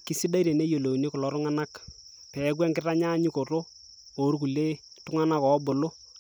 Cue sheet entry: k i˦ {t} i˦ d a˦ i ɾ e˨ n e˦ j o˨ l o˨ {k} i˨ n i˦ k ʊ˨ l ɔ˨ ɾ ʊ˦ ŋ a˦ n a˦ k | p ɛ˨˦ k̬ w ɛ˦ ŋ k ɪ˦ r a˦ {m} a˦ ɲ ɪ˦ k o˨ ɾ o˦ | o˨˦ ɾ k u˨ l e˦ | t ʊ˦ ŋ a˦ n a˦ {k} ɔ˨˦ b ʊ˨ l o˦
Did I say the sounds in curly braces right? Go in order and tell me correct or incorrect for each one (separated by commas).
incorrect, incorrect, incorrect, correct